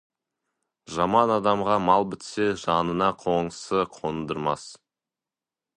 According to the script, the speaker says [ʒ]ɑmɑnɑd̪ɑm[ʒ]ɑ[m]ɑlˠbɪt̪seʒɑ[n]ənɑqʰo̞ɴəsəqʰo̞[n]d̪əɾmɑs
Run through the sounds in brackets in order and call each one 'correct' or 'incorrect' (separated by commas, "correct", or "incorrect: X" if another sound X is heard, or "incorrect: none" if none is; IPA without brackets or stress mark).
correct, incorrect: ʁ, correct, correct, correct